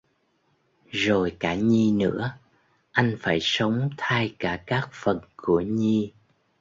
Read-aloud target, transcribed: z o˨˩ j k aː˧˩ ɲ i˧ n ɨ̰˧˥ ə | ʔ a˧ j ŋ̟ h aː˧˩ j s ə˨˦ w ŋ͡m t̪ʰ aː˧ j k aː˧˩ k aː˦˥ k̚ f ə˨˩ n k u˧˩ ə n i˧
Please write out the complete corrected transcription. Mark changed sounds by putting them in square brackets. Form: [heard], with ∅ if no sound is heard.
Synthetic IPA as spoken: z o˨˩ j k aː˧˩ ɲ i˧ n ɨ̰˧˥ ə | ʔ a˧ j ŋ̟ [f] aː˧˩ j s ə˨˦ w ŋ͡m t̪ʰ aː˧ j k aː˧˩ k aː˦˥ k̚ f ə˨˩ n k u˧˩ ə [ɲ] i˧